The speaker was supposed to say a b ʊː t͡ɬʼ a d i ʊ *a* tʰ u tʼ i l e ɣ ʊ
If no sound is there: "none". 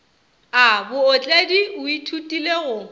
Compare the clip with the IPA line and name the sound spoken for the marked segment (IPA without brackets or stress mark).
i